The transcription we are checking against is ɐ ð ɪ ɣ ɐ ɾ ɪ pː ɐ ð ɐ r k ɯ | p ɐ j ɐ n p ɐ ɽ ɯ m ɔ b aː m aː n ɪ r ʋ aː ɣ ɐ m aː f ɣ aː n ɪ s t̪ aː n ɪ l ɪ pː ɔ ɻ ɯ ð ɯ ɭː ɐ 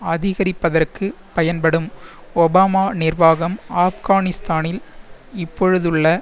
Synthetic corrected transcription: ɐ ð ɪ ɣ ɐ ɾ ɪ pː ɐ ð ɐ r k ɯ | p ɐ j ɐ n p ɐ ɽ ɯ m ɔ b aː m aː n ɪ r ʋ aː ɣ ɐ m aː f ɣ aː n ɪ s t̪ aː n ɪ l ɪ pː ɔ ɻ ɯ ð ɯ ɭː ɐ